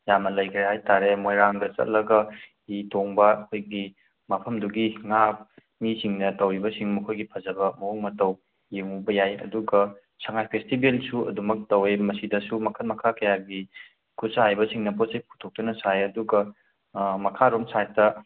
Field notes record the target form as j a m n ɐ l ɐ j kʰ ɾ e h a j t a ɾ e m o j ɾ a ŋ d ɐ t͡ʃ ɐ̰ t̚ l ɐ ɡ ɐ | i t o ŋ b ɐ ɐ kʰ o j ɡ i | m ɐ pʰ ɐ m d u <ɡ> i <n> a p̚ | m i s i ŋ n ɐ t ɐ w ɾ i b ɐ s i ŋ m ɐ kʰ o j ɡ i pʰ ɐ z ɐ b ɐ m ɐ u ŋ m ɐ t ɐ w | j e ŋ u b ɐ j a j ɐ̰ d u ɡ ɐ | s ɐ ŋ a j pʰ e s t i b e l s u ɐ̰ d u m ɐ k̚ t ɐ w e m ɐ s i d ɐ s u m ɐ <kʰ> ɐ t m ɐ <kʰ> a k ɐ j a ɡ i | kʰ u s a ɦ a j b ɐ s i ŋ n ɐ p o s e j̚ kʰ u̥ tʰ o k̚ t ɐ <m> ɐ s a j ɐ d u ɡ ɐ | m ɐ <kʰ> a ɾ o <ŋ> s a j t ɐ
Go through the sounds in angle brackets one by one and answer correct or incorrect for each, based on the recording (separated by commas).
correct, incorrect, correct, correct, incorrect, correct, incorrect